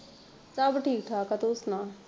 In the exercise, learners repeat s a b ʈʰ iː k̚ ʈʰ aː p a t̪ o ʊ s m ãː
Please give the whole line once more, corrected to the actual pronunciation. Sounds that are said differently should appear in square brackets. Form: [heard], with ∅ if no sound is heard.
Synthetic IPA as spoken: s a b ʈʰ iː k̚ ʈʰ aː [k] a t̪ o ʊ s [n] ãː